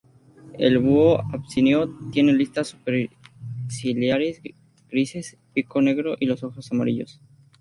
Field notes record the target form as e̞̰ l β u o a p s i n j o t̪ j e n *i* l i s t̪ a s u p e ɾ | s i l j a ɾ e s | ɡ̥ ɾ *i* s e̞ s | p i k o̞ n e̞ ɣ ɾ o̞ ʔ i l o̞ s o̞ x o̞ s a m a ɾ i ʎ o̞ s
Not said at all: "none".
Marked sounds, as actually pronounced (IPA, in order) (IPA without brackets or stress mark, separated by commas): e, i